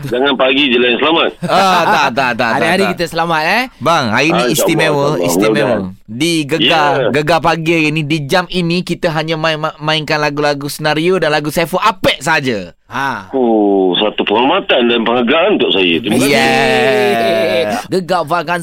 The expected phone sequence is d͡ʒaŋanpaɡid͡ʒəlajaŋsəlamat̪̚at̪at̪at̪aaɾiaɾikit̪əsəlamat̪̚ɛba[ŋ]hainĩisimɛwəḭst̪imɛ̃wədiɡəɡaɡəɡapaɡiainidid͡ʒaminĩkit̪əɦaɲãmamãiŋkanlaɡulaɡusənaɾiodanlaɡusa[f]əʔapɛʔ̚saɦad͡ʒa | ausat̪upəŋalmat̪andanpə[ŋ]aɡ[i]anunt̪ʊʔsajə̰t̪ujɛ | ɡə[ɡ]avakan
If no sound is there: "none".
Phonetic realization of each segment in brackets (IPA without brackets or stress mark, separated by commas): ŋ, f, ŋ, a, ɡ